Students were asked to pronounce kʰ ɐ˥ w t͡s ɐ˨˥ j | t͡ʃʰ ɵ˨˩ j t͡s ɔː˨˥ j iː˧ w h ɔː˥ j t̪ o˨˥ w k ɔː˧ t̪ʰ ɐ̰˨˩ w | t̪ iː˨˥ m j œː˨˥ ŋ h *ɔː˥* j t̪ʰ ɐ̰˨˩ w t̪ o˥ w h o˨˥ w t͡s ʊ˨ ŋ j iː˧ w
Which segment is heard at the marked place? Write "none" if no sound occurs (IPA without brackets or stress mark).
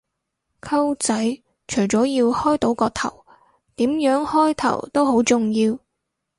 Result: ɔː˥